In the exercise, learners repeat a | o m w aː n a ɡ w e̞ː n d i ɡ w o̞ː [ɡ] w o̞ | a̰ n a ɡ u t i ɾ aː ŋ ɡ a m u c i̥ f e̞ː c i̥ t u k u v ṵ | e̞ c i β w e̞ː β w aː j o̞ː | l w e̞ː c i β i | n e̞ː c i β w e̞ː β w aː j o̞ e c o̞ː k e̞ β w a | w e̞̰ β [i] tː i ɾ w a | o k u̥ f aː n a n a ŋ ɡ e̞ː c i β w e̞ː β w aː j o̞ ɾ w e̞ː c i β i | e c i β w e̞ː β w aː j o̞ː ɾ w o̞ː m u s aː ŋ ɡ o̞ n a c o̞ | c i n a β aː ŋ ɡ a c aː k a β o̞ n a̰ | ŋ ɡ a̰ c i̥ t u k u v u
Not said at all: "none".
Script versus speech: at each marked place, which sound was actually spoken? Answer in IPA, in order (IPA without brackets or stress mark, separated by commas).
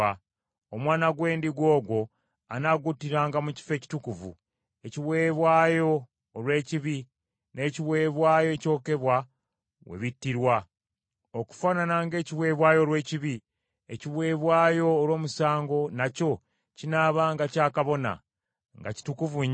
ɡ, i